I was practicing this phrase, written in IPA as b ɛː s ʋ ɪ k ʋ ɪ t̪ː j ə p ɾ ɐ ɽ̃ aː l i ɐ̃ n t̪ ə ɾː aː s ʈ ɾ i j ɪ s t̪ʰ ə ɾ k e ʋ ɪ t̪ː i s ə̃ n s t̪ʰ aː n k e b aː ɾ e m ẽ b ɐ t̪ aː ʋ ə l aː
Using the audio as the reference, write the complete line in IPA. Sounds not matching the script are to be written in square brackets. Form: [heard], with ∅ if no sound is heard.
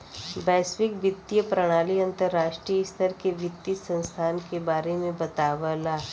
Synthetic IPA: b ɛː s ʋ ɪ k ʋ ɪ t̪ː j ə p ɾ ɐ ɽ̃ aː l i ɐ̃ n t̪ ə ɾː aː [ʃ] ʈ ɾ i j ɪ s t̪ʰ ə ɾ k e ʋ ɪ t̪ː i s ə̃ n s t̪ʰ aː n k e b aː ɾ e m ẽ b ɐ t̪ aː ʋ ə l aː